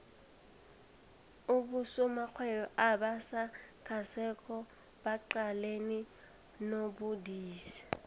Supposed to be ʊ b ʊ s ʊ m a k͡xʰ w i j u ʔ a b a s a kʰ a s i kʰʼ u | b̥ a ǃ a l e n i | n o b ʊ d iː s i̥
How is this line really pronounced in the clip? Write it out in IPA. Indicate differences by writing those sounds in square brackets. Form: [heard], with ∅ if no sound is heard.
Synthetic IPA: ʊ b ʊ s ʊ m a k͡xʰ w [ɛ] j [ɔ] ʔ a b a s a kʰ a s [ɛ] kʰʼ [ɔ] | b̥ a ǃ a l e n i | n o b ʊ d iː s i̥